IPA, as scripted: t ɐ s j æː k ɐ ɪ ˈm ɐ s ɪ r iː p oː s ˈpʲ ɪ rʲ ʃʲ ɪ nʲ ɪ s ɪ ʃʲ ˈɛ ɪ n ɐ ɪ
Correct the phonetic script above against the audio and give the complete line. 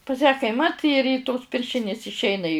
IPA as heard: p ɐ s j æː k ɐ ɪ ˈm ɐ t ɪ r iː t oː s ˈpʲ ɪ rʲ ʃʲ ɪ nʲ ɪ s ɪ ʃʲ ˈɛ ɪ n ɐ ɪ